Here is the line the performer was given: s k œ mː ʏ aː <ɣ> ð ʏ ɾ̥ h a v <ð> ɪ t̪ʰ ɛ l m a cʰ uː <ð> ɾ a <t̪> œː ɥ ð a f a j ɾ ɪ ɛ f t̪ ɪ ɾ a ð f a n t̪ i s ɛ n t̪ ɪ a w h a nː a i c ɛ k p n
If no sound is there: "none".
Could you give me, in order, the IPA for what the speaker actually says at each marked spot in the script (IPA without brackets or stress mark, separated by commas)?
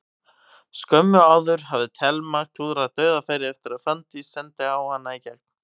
w, ð, ð, t̪